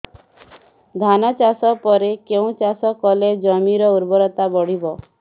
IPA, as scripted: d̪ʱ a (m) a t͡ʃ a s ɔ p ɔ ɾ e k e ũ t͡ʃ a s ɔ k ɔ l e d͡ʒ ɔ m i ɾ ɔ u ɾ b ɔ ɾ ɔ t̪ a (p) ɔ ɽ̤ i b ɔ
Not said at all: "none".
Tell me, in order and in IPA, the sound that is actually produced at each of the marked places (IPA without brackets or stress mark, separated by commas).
n, b